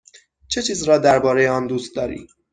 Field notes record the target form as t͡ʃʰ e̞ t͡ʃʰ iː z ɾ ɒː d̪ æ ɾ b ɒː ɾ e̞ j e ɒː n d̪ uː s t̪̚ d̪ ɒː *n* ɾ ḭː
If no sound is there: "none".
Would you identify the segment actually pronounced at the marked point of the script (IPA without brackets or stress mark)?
none